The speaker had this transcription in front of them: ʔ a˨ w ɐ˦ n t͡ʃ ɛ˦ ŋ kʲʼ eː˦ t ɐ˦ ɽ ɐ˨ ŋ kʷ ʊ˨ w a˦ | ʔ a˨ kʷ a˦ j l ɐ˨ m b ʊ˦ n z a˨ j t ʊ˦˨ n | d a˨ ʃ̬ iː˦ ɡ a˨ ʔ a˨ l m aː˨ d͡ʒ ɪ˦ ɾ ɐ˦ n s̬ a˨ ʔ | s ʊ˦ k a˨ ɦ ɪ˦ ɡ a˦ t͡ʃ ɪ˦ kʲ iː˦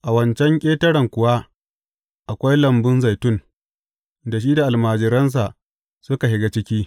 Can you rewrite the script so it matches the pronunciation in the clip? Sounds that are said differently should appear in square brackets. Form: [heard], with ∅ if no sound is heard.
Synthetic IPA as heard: ʔ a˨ w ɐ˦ n t͡ʃ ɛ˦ ŋ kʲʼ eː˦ t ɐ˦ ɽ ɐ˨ ŋ kʷ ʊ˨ w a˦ | ʔ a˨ kʷ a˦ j l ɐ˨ m b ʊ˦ n z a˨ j t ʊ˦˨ n | d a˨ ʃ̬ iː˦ [d] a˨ ʔ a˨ l m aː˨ d͡ʒ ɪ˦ ɾ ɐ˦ n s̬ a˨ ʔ | s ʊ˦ k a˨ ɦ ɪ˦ ɡ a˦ t͡ʃ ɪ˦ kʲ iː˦